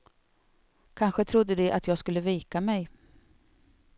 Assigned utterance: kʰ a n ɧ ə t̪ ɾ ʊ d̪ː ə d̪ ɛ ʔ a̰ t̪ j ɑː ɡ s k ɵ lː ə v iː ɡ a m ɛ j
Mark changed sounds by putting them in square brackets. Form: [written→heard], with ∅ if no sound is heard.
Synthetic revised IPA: kʰ a n ɧ ə [t̪→t̪ʰ] ɾ ʊ d̪ː ə d̪ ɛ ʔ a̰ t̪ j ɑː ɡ s k ɵ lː ə v iː [ɡ→k] a m ɛ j